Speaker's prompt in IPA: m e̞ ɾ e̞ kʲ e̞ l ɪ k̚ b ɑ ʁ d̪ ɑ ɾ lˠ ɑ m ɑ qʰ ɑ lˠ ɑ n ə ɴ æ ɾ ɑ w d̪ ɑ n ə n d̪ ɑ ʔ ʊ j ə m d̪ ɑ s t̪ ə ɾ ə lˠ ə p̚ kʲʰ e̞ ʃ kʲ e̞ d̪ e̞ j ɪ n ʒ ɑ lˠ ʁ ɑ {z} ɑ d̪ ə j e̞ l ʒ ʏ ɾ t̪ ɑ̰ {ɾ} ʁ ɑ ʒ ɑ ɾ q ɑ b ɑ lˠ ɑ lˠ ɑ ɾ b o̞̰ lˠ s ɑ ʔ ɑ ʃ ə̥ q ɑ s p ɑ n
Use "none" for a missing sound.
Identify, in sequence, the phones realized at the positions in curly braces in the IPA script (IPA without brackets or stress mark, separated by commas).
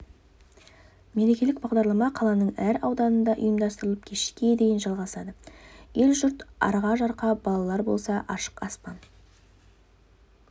s, ɾ